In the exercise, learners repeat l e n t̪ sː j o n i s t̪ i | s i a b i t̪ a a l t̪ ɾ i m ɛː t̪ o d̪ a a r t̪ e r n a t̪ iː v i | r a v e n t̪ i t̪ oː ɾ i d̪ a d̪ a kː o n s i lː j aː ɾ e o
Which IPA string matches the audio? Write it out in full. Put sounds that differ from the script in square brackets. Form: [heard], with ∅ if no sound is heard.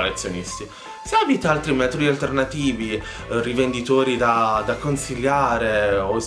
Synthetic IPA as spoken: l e [∅] t̪ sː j o n i s t̪ i | s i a b i t̪ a a l t̪ ɾ i m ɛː t̪ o d̪ [i] a [l] t̪ e r n a t̪ iː v i | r [i] v e n [d̪] i t̪ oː ɾ i d̪ a d̪ a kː o n s i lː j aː ɾ e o